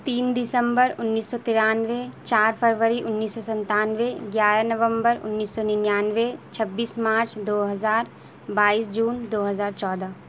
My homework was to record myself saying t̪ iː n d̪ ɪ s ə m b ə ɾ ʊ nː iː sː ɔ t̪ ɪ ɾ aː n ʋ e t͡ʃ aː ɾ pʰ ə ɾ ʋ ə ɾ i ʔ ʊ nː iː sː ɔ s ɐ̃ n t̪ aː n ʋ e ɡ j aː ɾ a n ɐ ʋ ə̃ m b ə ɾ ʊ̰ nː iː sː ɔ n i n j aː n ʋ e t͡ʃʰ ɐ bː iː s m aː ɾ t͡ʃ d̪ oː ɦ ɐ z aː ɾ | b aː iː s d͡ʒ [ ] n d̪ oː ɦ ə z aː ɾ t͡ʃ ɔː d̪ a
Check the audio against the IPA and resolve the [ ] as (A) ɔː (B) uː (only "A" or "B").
B